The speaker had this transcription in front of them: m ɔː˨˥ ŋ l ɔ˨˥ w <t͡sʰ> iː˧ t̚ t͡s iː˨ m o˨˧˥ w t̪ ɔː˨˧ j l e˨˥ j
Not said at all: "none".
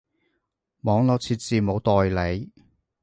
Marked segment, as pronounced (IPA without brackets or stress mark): t͡sʰ